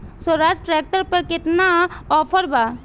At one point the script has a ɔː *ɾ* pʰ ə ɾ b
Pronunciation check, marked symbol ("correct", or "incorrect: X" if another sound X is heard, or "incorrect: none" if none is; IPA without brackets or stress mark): incorrect: none